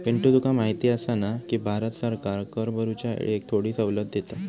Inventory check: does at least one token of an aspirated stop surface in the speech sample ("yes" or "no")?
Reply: yes